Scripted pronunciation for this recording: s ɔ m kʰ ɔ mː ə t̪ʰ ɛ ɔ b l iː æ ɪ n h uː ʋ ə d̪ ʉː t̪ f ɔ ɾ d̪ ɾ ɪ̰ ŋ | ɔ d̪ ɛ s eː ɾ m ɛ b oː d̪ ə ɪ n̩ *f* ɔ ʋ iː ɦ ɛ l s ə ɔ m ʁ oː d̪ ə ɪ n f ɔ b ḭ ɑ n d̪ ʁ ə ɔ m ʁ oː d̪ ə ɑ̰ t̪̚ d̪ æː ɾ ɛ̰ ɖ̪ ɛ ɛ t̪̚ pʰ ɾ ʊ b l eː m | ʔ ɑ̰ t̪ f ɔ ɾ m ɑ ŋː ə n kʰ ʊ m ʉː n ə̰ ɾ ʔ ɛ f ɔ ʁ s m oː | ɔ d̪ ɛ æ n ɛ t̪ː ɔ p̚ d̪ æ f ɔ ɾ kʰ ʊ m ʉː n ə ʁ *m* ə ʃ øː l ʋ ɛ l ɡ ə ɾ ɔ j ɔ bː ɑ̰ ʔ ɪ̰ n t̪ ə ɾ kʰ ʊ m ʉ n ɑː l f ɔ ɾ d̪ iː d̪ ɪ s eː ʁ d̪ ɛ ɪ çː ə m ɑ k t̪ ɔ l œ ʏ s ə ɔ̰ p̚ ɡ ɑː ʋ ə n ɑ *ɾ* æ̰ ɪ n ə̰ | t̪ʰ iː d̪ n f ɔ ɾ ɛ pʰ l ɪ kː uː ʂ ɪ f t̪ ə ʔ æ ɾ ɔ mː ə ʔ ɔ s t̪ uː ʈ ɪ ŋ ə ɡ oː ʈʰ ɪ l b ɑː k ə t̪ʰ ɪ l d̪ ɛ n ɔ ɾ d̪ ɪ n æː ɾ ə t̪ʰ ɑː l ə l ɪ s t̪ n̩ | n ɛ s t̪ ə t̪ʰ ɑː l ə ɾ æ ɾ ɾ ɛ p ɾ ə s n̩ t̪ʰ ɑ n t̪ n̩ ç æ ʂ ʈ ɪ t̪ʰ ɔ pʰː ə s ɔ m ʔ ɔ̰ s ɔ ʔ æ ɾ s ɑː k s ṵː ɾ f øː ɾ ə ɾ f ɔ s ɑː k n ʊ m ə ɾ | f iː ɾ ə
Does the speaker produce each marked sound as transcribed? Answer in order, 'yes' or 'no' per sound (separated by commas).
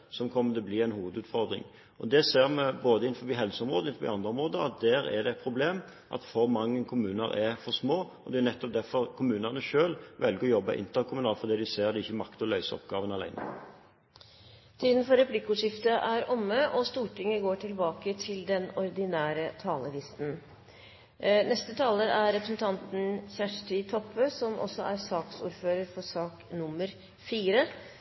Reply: yes, no, no